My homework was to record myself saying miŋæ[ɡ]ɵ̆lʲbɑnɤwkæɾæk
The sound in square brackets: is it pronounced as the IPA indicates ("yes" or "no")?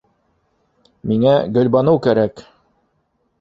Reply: yes